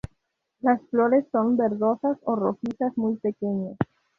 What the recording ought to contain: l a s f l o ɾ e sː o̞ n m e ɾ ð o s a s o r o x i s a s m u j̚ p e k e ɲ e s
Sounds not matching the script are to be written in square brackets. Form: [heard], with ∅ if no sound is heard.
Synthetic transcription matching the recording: l a s f l o ɾ e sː o̞ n [b] e ɾ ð o s a s o r o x i s a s m u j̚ p e k e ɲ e s